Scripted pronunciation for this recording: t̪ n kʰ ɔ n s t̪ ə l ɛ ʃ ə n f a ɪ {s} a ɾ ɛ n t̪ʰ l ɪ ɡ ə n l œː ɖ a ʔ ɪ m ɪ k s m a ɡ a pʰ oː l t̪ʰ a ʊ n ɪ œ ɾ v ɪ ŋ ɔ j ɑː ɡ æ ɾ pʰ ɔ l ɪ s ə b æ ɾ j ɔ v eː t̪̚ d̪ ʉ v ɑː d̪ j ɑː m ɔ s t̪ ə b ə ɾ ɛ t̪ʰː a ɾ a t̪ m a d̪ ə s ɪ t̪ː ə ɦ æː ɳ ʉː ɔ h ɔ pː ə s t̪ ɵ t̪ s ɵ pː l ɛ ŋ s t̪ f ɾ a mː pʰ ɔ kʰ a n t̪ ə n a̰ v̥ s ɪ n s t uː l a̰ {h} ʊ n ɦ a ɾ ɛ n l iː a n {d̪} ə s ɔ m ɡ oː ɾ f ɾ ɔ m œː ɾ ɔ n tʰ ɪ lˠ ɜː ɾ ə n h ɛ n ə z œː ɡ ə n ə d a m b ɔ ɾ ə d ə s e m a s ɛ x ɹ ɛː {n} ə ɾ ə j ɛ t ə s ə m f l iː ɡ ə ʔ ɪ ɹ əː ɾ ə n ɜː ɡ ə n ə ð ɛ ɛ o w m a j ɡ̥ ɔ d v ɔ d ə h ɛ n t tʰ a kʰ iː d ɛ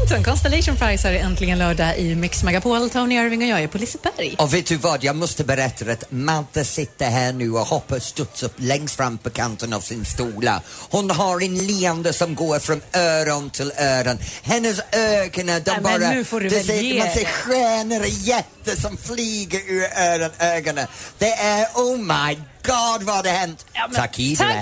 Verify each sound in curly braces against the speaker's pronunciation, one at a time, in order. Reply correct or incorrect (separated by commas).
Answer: correct, correct, correct, correct